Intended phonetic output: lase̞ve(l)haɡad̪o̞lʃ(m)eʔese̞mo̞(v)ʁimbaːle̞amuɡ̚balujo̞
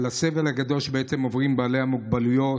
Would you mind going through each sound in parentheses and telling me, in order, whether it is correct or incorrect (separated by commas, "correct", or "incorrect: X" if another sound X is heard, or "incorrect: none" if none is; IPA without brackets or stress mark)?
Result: correct, incorrect: b, correct